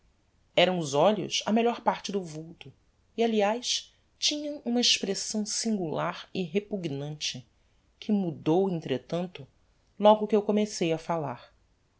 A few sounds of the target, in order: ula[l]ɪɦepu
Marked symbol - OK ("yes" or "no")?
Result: no